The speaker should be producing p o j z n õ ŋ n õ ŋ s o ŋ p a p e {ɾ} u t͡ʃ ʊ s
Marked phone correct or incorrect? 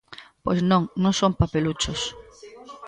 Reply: incorrect